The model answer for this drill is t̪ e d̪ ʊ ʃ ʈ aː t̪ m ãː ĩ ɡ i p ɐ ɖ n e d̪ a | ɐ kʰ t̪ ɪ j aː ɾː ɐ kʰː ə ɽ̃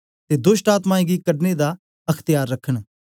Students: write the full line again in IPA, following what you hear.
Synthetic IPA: t̪ e d̪ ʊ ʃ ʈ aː t̪ m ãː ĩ ɡ i k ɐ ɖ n e d̪ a | ɐ kʰ t̪ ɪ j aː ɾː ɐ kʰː ə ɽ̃